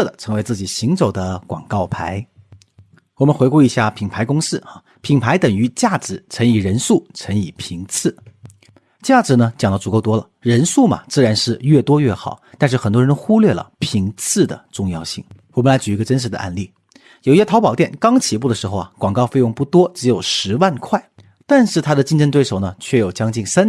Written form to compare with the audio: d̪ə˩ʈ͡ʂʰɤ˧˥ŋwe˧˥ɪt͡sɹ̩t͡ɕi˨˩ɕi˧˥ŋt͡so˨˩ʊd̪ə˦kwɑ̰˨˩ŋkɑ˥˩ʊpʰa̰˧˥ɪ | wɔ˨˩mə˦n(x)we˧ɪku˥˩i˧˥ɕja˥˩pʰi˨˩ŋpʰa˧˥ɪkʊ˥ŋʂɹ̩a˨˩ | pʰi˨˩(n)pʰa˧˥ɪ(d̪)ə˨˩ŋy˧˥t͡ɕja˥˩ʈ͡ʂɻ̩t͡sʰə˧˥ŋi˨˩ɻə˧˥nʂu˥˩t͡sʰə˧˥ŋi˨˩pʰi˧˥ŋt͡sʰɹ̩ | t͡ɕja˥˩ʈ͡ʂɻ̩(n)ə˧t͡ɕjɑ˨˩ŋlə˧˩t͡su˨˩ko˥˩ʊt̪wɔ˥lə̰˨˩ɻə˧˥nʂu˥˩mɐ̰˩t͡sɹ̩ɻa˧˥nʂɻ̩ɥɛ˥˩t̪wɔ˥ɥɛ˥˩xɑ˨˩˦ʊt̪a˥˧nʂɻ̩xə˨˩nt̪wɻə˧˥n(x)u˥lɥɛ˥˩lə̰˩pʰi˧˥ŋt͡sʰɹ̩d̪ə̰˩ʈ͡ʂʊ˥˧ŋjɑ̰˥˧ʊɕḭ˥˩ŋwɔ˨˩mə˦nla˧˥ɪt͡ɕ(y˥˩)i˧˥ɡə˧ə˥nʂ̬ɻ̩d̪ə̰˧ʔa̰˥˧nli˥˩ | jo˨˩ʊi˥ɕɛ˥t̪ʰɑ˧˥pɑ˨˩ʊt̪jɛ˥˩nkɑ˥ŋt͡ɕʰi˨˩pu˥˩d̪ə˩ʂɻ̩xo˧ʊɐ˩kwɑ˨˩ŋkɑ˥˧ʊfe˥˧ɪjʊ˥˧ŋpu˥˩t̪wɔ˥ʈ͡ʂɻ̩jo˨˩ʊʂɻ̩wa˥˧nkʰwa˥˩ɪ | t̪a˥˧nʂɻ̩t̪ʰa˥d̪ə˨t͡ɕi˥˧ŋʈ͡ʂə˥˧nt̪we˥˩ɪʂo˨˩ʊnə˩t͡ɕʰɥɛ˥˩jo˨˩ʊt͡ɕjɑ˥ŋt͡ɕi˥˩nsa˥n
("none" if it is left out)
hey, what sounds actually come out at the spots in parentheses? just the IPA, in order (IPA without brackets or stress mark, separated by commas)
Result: x, ŋ, t̪, n, x, y˨˩